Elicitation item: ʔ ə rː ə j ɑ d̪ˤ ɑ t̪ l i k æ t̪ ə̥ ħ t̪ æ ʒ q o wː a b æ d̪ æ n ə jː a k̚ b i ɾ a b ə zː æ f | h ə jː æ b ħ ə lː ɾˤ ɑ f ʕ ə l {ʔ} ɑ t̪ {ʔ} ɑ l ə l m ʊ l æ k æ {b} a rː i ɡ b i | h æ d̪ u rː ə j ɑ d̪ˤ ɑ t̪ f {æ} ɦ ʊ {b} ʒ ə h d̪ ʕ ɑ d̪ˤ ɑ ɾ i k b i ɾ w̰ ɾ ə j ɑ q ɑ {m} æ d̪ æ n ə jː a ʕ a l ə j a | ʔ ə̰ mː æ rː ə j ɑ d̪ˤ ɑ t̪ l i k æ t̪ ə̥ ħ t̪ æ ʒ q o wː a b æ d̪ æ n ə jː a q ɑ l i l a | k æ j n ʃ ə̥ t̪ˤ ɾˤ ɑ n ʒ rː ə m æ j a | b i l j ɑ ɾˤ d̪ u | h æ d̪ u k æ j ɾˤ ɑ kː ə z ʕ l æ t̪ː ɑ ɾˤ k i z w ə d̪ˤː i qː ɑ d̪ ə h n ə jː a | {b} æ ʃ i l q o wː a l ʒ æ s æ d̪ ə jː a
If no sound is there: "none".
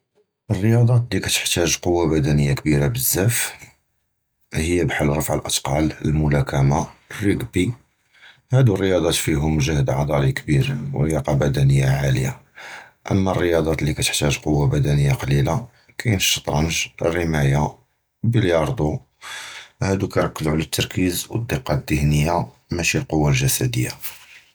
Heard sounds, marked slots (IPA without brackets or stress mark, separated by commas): ʔ, q, m, i, m, b, m